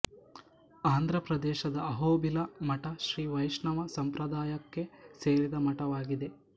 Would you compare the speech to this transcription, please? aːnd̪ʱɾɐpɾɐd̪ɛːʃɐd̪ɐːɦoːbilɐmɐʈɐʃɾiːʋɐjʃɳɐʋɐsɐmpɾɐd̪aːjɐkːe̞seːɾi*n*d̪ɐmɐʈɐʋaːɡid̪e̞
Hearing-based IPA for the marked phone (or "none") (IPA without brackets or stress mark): none